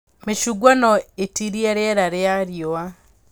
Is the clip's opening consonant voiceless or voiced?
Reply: voiced